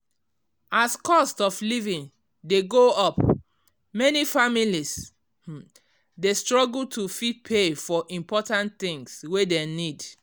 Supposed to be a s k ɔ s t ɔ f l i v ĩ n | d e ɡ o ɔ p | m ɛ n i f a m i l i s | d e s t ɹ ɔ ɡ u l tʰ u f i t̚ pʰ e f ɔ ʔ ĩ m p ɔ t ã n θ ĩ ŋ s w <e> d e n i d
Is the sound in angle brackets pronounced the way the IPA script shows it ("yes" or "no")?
yes